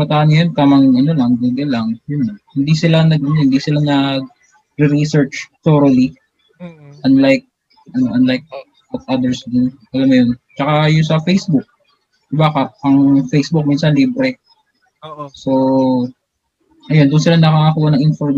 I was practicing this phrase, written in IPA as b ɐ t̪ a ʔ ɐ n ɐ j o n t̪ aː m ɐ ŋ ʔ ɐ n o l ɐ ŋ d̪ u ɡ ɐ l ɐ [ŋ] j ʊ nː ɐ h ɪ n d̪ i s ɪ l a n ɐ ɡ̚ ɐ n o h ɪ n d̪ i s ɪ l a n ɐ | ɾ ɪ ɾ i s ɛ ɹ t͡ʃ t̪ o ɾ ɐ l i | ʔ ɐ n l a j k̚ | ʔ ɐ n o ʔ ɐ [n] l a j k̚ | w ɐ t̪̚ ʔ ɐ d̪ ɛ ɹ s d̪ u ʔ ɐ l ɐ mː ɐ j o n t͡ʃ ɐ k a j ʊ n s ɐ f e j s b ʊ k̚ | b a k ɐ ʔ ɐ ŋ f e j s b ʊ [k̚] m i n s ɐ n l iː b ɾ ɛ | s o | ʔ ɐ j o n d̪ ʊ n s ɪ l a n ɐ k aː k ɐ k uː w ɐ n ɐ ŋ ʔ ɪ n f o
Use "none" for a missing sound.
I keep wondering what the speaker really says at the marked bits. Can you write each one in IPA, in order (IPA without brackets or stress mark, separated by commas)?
ŋ, n, k̚